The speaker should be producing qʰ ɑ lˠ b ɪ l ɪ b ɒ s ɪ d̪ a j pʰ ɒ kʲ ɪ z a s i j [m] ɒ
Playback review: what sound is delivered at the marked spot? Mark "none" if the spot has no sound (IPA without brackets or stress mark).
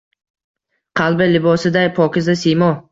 m